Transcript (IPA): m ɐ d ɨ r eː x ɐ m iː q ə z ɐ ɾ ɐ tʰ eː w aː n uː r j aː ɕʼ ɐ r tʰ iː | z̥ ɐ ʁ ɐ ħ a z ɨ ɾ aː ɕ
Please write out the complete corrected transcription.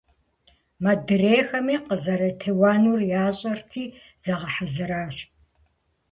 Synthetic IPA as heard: m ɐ d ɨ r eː x ɐ m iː q ə z ɐ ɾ ɐ tʰ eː w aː n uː r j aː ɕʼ ɐ r tʰ iː | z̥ ɐ ʁ ɐ ħ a z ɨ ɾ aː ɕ